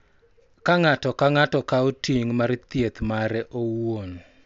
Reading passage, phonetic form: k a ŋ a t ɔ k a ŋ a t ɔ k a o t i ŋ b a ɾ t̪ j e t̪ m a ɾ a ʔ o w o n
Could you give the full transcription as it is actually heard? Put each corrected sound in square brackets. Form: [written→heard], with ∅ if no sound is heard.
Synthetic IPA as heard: k a ŋ a t ɔ k a ŋ a t ɔ k a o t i ŋ [b→m] a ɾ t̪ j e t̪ m a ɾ [a→ɛ] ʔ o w o n